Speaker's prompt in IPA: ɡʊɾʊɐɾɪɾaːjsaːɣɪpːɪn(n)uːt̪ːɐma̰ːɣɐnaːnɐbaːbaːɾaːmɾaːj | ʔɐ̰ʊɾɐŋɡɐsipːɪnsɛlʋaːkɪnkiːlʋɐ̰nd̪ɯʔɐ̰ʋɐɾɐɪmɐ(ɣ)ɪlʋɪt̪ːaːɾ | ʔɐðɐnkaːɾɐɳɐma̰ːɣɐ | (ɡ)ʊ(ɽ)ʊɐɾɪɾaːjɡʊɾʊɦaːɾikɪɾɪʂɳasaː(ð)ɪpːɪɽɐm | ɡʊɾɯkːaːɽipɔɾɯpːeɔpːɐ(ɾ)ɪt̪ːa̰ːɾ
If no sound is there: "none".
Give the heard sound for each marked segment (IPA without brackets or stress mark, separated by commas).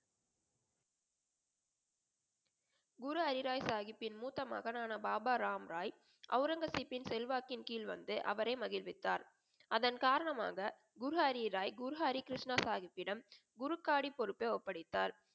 m, ɣ, ɡ, ɾ, ɣ, ɽ